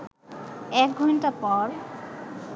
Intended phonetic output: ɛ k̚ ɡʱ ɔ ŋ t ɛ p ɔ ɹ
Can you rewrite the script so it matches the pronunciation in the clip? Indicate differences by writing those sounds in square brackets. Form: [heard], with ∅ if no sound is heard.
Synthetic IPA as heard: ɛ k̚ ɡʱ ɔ [n] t [a] p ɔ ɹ